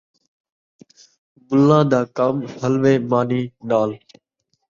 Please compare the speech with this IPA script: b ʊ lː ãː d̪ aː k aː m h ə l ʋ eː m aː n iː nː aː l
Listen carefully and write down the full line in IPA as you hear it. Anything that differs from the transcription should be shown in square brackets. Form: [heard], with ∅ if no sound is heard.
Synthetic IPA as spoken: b ʊ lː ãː d̪ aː k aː m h ə l ʋ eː m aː n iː [n] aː l